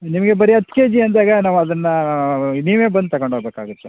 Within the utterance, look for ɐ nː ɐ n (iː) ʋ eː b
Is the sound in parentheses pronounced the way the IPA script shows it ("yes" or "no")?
yes